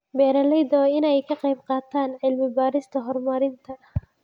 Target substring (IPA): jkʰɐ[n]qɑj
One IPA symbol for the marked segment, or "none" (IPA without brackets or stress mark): none